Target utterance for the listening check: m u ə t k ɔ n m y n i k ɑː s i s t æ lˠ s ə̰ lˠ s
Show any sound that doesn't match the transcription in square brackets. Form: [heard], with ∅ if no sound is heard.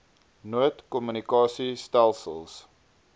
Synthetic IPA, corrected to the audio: [n] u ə t k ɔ [∅] m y n i k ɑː s i s t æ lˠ s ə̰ lˠ s